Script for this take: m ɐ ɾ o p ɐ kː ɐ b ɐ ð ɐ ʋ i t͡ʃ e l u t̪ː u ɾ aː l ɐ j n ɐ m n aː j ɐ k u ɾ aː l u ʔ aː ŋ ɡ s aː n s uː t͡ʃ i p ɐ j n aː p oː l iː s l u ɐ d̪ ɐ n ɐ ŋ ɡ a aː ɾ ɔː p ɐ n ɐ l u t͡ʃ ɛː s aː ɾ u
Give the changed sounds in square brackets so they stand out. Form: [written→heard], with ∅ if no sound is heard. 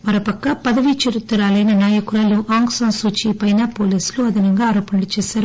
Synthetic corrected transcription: m ɐ ɾ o p ɐ kː ɐ [b→p] ɐ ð ɐ ʋ i t͡ʃ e [l→ɾ] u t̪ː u ɾ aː l ɐ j n ɐ [m→∅] n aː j ɐ k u ɾ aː l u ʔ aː ŋ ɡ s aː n s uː t͡ʃ i p ɐ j n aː p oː l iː s l u ɐ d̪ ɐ n ɐ ŋ ɡ a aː ɾ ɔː p ɐ n ɐ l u t͡ʃ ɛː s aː ɾ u